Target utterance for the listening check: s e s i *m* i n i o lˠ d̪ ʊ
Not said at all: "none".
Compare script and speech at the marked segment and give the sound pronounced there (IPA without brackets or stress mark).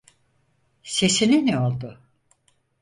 n